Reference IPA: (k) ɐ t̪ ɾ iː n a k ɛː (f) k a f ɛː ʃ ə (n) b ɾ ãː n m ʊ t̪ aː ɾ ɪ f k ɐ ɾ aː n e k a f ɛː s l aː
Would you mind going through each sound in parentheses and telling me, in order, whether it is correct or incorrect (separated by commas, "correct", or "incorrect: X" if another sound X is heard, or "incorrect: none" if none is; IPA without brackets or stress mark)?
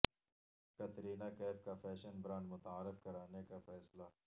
correct, correct, correct